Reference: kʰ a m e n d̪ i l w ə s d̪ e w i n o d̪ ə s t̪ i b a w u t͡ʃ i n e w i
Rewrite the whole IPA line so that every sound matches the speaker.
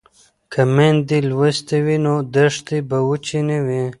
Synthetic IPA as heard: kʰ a m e n d̪ i l w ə s t̪ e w i n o d̪ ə ʂ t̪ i b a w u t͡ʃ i n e w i